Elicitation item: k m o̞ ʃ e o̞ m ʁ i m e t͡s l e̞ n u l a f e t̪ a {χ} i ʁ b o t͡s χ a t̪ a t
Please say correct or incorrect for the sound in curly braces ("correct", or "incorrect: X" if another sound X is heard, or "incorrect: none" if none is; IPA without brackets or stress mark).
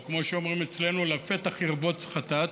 correct